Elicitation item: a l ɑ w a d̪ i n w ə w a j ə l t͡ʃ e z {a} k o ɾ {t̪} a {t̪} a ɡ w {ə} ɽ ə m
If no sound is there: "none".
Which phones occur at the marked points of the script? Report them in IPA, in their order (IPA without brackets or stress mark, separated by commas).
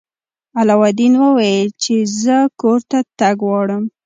ə, t̪, t̪, ɑ